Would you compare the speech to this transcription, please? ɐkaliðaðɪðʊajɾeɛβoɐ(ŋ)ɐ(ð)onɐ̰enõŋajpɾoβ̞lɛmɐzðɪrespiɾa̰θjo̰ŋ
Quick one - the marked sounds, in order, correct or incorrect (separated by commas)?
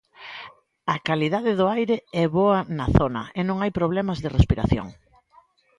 incorrect, incorrect